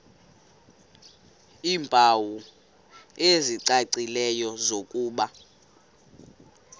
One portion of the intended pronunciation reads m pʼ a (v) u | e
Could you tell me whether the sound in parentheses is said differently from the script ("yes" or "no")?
yes